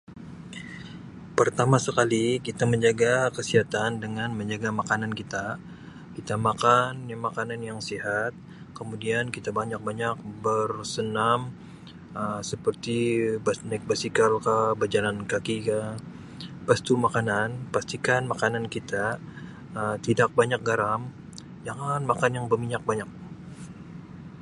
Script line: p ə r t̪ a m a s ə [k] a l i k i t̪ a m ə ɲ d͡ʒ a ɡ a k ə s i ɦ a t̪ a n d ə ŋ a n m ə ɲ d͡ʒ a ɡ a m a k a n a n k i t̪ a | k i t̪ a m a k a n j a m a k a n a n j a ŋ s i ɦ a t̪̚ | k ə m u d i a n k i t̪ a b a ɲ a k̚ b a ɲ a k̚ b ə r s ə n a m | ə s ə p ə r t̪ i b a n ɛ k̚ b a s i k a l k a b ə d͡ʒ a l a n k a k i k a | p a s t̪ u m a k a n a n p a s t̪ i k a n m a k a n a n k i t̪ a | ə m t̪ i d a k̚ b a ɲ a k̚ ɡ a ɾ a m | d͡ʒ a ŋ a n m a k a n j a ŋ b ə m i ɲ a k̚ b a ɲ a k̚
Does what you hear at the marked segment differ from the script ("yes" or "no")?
no